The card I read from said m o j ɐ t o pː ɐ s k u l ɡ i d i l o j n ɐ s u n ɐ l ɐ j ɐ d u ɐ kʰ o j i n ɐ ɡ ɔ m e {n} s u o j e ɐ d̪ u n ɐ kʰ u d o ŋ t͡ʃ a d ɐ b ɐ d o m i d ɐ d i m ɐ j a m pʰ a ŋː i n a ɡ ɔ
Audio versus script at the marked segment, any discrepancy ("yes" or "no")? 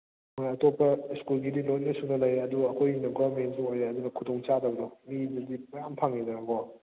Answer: no